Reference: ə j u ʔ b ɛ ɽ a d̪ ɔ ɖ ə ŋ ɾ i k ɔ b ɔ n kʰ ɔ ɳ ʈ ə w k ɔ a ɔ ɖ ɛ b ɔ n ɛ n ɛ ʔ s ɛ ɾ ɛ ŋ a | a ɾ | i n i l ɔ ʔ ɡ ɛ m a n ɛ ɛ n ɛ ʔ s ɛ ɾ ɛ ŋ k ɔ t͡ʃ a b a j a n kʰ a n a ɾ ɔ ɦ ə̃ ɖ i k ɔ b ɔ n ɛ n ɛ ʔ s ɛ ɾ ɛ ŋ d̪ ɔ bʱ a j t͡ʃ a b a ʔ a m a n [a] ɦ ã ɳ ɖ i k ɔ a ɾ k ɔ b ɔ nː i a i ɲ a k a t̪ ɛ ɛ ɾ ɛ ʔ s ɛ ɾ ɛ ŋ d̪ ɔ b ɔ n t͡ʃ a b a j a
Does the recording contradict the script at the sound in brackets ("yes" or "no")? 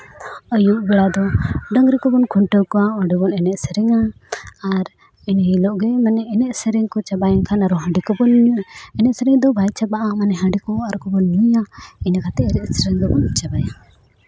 yes